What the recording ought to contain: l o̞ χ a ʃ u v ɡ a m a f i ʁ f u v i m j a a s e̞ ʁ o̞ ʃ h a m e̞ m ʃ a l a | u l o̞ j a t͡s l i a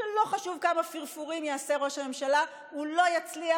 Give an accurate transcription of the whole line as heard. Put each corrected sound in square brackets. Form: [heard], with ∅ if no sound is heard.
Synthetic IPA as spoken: l o̞ χ a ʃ u v [k] a m a f i ʁ f u [ʁ] i m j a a s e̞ ʁ o̞ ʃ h a m e̞ m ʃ a l a | u l o̞ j a t͡s l i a

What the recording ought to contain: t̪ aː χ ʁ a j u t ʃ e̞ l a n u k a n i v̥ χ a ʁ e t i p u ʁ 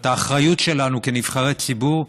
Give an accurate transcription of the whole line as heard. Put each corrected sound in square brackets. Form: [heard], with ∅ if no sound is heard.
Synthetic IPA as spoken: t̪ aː χ ʁ a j u t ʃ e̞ l a n u k [e] n i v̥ χ a ʁ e [t͡s] i [b] u ʁ

